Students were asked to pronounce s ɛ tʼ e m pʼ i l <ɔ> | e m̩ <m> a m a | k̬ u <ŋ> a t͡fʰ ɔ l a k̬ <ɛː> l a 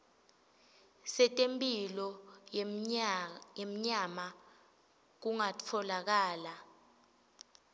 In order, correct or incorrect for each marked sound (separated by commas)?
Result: correct, incorrect, correct, incorrect